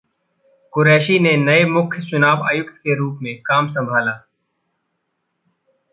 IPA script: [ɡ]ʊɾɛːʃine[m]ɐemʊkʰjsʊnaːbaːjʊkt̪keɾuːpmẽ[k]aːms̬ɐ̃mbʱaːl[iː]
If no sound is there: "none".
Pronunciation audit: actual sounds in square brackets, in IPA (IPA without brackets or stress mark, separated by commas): k, n, k, aː